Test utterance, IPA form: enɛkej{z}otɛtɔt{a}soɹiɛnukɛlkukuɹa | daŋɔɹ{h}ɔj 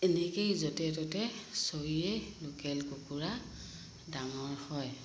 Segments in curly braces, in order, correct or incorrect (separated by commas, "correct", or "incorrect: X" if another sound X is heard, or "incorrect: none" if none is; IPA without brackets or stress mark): correct, incorrect: ɛ, correct